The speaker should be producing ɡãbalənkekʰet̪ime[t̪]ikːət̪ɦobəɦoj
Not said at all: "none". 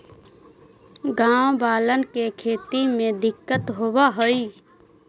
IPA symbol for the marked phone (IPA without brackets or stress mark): d̪